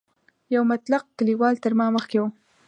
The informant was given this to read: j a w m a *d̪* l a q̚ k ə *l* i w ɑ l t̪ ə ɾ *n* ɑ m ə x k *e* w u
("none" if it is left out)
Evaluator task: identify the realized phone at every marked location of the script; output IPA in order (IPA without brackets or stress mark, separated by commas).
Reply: t̪, l, m, e